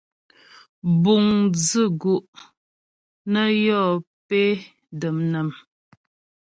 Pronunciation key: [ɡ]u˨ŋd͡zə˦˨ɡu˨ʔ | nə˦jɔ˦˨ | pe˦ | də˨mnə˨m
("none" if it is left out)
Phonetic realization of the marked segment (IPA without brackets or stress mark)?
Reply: b